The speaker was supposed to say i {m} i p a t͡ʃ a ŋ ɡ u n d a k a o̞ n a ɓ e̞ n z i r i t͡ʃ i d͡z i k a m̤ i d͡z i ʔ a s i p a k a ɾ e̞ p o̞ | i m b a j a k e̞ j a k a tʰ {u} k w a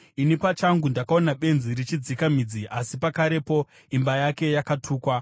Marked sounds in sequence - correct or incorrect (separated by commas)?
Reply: incorrect, incorrect